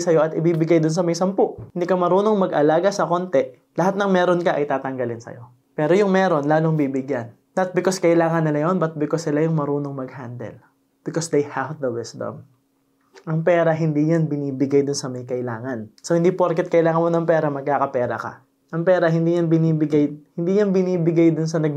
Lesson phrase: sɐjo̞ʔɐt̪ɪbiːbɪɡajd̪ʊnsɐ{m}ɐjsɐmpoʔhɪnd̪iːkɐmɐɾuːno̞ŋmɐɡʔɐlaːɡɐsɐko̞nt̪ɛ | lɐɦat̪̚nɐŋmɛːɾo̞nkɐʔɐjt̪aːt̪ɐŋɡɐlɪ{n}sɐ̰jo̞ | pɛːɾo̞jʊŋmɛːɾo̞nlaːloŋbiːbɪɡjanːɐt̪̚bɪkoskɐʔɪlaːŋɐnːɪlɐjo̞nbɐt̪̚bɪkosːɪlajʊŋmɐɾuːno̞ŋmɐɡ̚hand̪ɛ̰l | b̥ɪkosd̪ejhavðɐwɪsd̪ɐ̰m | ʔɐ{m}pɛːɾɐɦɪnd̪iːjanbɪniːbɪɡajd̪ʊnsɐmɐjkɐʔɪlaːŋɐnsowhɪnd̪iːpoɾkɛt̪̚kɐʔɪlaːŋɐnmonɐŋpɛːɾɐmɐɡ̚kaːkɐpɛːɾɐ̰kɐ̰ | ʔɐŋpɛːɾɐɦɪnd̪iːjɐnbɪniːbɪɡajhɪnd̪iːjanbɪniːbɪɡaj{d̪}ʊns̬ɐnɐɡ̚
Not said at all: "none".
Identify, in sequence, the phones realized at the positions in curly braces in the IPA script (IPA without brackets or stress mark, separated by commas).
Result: m, n, ŋ, d̪